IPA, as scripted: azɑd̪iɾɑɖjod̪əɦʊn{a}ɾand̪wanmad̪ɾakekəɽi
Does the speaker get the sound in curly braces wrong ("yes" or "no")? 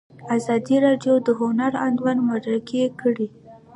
no